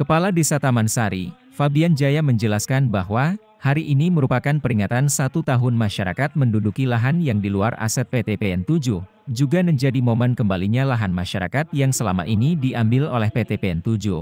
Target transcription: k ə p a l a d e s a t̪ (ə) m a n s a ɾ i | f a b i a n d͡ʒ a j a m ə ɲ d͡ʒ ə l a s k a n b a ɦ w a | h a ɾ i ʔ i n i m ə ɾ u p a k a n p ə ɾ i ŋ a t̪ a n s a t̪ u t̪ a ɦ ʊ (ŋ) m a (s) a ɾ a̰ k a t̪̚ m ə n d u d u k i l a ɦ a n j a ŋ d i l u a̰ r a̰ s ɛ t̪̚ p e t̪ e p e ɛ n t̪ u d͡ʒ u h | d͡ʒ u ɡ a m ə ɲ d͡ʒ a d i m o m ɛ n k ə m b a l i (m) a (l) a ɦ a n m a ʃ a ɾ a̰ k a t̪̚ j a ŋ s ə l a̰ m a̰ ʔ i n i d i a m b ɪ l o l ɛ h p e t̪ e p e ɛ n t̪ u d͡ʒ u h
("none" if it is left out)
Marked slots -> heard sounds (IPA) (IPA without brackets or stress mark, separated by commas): a, n, ʃ, ɲ, l